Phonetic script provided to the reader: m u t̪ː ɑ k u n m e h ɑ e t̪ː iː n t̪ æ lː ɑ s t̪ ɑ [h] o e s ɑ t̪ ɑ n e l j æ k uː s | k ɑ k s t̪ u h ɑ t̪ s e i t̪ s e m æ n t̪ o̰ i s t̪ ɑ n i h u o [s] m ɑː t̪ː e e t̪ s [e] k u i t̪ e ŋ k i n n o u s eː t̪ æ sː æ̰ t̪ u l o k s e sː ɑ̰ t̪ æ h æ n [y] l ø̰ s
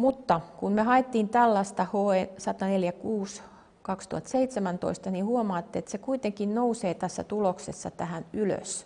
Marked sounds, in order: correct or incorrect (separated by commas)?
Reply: correct, incorrect, correct, correct